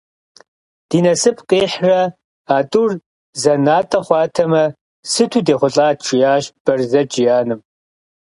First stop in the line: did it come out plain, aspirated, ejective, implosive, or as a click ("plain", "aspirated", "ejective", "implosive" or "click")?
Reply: plain